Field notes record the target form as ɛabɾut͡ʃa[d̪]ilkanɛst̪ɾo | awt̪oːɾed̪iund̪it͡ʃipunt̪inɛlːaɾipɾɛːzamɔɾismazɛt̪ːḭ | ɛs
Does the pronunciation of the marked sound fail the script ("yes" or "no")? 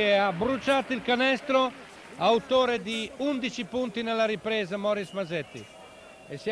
yes